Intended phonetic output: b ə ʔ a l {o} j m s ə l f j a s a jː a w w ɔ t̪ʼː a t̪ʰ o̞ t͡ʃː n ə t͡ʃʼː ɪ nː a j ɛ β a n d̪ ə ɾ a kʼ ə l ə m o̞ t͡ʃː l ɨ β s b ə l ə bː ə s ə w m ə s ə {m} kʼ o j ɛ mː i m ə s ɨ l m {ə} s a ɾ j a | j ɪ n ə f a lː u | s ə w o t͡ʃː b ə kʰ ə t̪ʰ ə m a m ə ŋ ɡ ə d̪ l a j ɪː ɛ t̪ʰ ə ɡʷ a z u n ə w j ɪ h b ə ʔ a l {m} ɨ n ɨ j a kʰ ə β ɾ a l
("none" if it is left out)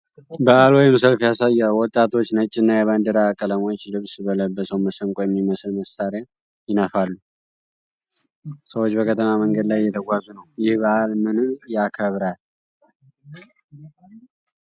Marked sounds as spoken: o, ŋ, ə, m

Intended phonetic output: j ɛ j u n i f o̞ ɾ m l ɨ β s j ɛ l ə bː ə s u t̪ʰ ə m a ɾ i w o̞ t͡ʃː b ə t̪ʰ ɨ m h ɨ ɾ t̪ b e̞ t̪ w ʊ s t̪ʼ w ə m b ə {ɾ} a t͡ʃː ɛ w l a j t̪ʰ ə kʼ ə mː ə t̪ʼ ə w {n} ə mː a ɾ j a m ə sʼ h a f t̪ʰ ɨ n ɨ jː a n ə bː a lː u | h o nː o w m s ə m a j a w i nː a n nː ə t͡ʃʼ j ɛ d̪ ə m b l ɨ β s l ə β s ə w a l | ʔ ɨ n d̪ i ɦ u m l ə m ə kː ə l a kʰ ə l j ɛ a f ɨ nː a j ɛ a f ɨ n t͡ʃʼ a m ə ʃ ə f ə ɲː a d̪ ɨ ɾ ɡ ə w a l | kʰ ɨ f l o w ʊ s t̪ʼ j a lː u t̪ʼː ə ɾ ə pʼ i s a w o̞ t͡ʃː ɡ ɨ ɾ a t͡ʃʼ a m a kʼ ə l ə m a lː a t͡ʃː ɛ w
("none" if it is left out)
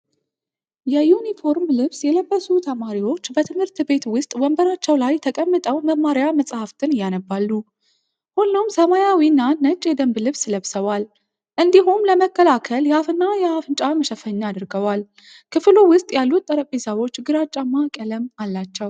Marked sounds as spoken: ɾ, m

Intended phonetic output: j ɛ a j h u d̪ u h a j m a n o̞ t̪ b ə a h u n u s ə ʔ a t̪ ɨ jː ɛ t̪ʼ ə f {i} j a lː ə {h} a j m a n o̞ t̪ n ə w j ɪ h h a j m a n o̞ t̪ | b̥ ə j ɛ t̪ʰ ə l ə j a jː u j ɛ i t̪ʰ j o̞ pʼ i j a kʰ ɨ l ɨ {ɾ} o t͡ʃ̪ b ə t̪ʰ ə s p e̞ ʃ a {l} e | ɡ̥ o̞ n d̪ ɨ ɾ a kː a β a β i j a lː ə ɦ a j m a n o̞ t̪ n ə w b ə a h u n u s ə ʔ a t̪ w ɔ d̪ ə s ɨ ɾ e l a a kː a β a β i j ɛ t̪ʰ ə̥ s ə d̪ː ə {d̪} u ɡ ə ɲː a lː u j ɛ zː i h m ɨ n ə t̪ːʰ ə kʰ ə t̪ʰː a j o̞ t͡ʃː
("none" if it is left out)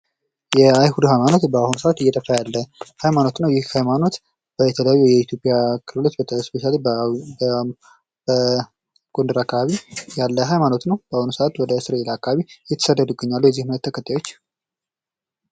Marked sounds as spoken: a, h, l, l, d̪

